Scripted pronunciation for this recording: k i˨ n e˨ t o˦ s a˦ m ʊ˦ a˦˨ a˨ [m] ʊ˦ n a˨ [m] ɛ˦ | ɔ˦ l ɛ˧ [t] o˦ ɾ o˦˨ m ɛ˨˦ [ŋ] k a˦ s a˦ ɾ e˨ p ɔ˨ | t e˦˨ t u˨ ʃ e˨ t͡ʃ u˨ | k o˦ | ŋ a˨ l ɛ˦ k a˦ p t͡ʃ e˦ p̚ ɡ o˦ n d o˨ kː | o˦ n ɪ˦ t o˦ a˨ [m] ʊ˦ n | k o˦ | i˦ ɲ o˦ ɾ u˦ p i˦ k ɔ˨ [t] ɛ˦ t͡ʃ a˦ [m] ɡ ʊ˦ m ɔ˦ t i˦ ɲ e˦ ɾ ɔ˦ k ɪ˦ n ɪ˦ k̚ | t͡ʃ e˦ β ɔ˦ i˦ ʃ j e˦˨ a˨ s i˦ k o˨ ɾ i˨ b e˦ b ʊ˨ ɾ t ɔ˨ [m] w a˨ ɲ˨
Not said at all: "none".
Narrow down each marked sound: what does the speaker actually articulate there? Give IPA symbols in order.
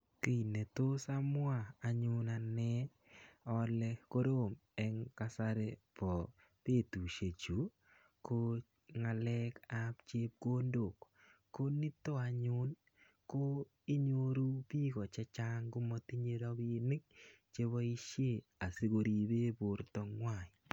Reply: ɲ, n, k, ŋ, ɲ, t͡ʃ, ŋ, ŋ

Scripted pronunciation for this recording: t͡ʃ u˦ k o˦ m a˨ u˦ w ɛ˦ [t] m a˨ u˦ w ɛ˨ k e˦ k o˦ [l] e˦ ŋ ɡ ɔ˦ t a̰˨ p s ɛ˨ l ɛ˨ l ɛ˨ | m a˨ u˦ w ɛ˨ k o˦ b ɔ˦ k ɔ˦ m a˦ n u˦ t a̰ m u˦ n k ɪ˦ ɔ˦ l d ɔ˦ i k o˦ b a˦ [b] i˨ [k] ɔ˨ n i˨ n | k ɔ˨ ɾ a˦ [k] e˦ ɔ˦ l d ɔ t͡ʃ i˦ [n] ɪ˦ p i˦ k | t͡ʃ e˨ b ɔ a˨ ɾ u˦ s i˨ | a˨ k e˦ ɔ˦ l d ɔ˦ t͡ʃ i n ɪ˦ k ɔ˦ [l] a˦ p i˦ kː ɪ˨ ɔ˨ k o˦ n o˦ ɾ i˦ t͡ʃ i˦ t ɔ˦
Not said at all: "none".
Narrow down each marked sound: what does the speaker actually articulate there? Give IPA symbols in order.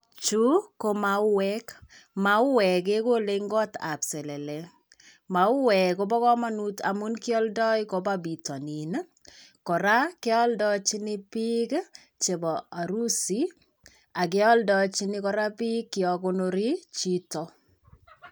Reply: k, l, b, t, k, n, ɾ

